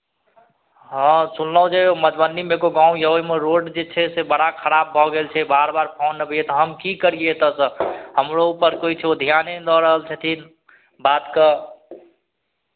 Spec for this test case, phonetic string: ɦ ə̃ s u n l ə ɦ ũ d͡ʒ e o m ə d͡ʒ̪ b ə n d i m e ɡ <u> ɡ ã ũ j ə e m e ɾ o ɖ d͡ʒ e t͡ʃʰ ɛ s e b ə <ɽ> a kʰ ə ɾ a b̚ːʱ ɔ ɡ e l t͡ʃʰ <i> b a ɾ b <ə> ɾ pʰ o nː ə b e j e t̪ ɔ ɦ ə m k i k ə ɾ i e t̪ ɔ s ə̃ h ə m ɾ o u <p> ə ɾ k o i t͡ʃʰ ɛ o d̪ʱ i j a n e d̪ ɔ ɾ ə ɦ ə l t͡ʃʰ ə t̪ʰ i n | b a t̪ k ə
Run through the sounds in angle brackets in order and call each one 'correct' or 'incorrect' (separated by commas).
incorrect, correct, incorrect, incorrect, correct